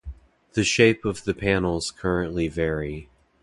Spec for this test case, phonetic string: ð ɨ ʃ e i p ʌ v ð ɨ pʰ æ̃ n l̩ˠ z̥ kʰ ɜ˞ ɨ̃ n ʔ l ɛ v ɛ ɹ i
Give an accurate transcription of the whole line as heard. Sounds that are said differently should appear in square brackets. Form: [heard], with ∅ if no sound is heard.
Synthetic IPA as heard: ð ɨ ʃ e [ɪ] p ʌ v ð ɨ pʰ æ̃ n l̩ˠ z̥ kʰ ɜ˞ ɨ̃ n ʔ l [i] v ɛ ɹ i